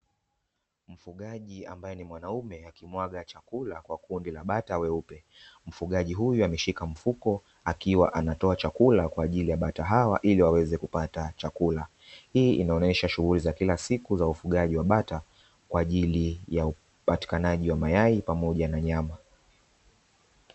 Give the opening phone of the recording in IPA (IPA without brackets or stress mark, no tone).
m̩